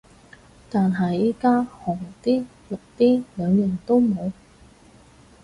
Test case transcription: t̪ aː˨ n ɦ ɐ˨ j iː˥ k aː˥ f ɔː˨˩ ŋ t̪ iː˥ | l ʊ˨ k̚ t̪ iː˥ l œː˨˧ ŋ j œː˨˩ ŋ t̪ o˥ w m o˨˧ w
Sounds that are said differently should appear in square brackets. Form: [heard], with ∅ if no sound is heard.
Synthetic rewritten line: t̪ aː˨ n ɦ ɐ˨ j iː˥ k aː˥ [h] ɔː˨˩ ŋ t̪ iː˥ | l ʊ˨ k̚ t̪ iː˥ l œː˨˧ ŋ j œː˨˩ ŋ t̪ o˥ w m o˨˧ w

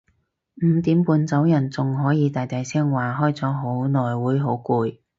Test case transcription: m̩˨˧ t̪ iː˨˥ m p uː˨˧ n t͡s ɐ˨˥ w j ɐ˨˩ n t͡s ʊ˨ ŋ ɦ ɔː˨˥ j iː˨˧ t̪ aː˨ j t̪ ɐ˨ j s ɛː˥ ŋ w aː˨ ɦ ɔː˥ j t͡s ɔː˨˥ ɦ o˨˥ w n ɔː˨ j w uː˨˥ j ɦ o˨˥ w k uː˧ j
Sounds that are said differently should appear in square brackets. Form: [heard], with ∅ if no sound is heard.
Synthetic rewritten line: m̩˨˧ t̪ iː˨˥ m p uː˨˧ n t͡s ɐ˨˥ w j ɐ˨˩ n t͡s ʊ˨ ŋ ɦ ɔː˨˥ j iː˨˧ t̪ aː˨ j t̪ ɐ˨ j s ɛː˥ ŋ w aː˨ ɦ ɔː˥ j t͡s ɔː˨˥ ɦ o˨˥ w n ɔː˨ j w uː˨˥ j ɦ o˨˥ w k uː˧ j

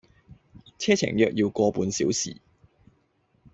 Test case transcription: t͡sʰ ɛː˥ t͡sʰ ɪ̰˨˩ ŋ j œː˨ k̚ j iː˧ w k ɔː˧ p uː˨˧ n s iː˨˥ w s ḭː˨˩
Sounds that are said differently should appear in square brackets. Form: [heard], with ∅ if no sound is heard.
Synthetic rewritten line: t͡sʰ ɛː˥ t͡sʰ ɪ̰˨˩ ŋ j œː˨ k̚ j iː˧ w k ɔː˧ p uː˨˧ n s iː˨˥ w s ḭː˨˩

